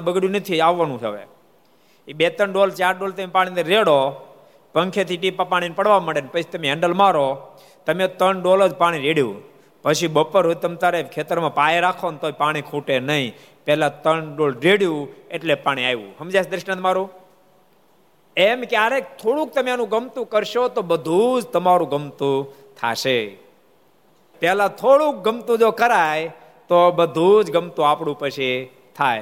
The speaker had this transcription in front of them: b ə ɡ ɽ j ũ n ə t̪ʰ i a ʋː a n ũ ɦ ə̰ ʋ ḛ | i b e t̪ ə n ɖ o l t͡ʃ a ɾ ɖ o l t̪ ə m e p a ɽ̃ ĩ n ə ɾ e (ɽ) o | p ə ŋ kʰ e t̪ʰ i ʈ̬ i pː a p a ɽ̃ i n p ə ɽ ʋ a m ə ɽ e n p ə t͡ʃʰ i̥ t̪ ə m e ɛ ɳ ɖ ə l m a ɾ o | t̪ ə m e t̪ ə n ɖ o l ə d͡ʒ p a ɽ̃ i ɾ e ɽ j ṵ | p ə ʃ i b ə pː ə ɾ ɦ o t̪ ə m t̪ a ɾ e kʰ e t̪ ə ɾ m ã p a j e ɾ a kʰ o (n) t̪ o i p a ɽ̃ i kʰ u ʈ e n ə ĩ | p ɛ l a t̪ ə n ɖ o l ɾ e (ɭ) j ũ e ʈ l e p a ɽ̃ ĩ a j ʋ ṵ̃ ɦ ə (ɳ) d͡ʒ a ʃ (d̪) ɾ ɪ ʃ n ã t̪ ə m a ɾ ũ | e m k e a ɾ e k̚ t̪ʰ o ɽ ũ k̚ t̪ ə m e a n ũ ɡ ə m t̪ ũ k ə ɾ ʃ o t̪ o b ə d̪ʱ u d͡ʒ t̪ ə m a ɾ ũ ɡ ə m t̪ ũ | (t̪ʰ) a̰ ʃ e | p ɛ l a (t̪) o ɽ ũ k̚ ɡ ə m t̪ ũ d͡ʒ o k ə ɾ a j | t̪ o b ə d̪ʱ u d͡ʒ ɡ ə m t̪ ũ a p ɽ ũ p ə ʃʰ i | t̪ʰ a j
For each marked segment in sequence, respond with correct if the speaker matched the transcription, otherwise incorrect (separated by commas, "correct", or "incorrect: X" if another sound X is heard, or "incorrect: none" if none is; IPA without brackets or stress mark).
correct, correct, incorrect: ɽ, incorrect: m, correct, correct, incorrect: t̪ʰ